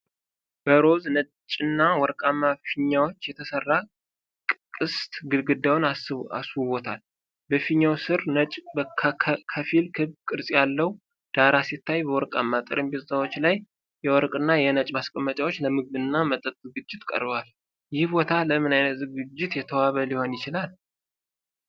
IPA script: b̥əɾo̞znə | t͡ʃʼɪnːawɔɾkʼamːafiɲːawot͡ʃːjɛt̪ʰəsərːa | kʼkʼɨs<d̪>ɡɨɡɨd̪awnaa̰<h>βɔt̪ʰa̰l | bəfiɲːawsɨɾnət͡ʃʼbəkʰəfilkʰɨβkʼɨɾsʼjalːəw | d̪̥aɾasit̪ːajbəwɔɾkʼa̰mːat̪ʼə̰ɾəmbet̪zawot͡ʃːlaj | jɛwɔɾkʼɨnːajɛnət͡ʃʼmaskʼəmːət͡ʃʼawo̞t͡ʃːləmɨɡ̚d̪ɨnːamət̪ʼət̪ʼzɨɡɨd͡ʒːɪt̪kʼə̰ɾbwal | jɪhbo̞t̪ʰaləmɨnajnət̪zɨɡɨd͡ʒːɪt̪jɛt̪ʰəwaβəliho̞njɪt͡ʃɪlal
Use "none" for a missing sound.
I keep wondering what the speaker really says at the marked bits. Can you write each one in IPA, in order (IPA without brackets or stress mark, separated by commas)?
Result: t̪, s